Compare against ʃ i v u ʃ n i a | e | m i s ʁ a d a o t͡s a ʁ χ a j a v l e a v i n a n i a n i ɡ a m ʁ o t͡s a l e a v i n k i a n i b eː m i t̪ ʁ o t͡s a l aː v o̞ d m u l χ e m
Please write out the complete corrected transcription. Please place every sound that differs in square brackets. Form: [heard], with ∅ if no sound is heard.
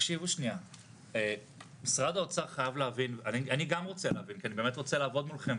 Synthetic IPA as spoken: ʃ i v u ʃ n i a | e | m i s ʁ a d a o t͡s a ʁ χ a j a v l e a v i n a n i a n i ɡ a m ʁ o t͡s [e] l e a v i n k i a n i b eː m [e] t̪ ʁ o t͡s [e] l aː v o̞ d m u l χ e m